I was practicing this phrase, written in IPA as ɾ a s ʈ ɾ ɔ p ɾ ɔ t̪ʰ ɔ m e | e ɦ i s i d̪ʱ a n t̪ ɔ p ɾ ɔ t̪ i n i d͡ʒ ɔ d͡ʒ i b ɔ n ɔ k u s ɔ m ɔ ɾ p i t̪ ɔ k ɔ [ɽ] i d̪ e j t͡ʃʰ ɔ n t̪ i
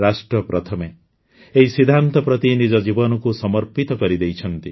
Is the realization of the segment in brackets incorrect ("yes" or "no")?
yes